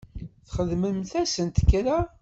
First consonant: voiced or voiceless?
voiceless